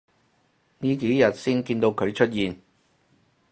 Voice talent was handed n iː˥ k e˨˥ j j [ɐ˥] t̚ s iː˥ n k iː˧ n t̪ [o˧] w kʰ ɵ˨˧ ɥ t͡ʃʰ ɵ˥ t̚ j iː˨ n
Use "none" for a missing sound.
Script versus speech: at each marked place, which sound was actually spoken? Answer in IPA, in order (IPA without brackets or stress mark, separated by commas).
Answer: ɐ˨, o˧